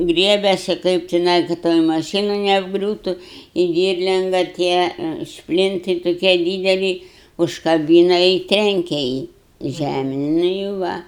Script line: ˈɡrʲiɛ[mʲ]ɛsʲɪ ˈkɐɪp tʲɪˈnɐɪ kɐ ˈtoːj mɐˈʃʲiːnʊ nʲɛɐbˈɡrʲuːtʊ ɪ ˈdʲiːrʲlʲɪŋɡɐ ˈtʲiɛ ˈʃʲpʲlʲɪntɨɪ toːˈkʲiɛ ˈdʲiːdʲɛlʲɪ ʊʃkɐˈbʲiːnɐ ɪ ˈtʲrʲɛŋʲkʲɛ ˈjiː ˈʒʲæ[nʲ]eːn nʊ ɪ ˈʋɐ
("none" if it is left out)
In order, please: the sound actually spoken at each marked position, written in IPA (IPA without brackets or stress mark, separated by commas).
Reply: bʲ, mʲ